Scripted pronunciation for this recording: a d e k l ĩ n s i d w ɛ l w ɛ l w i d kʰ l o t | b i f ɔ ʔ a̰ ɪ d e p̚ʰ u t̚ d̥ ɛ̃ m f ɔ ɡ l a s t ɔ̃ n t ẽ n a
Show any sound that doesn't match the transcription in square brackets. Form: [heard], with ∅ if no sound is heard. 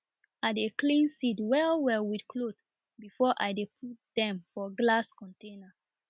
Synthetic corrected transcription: a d e k l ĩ n s i d w ɛ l w ɛ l w i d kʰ l o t | b i f ɔ ʔ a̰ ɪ d e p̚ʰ u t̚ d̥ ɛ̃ m f ɔ ɡ l a s [k] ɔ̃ n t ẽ n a